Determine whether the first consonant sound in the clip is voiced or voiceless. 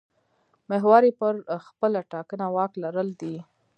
voiced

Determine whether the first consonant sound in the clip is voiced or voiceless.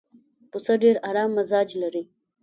voiceless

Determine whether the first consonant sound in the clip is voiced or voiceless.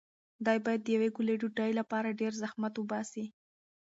voiced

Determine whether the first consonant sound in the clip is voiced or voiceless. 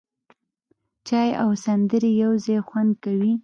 voiceless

